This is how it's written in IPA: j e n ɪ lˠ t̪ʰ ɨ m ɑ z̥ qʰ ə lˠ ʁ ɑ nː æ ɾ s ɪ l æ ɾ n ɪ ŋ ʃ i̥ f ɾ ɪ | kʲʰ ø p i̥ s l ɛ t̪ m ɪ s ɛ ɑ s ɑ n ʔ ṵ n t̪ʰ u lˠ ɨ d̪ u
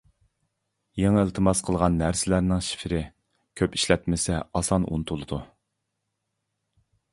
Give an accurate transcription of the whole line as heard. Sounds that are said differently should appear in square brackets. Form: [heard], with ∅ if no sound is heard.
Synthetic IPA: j e [ŋ] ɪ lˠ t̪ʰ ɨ m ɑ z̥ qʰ ə lˠ ʁ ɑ nː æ ɾ s ɪ l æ ɾ n ɪ ŋ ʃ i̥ f ɾ ɪ | kʲʰ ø p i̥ [ʃ] l ɛ t̪ m ɪ s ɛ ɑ s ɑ n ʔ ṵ n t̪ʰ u lˠ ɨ d̪ u